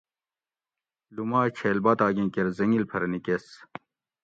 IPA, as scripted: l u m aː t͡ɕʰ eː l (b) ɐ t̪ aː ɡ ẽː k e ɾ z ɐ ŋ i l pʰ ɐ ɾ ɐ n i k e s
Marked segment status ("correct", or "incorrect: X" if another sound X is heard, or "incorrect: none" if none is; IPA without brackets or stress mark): correct